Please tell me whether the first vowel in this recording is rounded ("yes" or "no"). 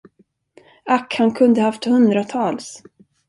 no